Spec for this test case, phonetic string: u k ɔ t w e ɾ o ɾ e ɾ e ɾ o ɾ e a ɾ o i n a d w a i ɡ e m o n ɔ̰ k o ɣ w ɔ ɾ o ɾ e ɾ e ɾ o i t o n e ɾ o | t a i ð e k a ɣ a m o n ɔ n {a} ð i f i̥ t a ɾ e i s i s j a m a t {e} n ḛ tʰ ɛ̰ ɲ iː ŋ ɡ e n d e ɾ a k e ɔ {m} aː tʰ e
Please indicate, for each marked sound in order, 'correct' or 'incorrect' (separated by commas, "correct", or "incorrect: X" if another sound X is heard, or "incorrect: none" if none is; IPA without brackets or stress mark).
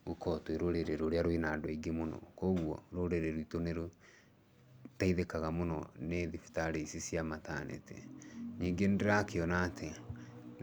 incorrect: e, incorrect: a, incorrect: n